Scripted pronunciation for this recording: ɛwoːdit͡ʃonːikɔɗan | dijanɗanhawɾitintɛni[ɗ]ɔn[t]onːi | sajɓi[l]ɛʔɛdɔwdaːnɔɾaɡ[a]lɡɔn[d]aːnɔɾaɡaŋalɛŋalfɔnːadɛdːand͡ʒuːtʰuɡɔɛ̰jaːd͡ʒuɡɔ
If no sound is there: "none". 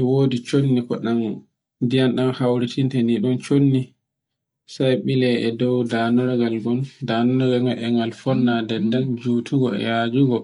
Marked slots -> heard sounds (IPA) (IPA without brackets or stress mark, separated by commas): ɗ, t͡ʃ, l, a, d